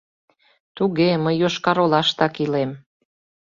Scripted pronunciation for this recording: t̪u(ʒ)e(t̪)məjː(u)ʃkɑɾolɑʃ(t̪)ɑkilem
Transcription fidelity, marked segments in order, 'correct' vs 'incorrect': incorrect, incorrect, incorrect, correct

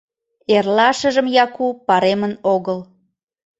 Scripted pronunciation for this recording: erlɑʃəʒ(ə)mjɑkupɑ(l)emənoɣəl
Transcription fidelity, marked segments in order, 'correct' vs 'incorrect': correct, incorrect

